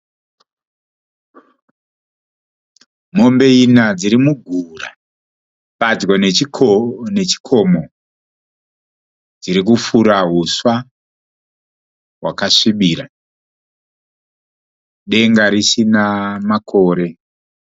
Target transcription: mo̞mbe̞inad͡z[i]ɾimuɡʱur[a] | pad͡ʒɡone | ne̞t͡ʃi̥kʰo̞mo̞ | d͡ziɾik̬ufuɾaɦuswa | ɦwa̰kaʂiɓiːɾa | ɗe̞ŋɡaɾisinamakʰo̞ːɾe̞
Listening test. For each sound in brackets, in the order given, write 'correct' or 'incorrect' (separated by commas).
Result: correct, correct